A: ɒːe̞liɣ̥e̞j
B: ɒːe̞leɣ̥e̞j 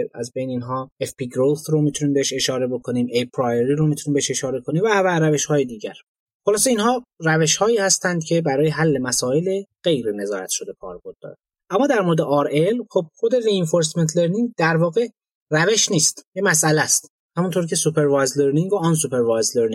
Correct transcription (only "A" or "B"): B